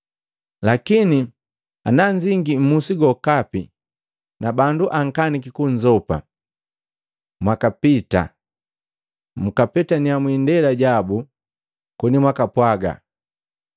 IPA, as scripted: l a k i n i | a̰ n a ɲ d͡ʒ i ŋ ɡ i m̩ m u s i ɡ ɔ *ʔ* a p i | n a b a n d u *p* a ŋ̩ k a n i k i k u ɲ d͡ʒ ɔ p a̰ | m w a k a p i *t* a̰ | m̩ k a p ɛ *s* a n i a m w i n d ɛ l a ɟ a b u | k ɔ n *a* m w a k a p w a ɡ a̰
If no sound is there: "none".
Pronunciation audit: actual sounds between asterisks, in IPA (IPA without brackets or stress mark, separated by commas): k, ʔ, t, t, i